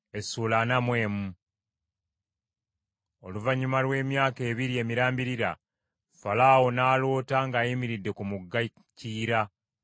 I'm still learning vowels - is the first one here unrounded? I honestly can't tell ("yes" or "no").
yes